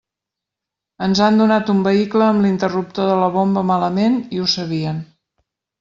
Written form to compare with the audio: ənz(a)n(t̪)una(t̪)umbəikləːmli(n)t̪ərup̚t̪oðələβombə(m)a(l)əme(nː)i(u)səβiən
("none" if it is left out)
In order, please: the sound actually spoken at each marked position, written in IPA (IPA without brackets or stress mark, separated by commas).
a, d̪, t̪, n, m, l, n, u